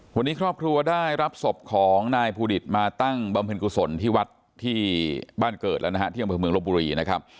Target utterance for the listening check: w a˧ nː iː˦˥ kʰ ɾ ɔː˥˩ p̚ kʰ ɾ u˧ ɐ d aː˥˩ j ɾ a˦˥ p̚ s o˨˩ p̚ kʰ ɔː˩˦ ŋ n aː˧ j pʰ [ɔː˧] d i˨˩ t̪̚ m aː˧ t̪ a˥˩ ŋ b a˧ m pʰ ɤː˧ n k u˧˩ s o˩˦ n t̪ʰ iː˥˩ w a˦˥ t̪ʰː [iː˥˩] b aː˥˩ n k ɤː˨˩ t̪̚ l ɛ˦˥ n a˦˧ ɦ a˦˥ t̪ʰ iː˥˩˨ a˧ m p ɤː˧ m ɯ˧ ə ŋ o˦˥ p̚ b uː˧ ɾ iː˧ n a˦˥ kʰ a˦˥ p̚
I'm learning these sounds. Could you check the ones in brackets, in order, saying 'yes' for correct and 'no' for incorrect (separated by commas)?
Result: no, yes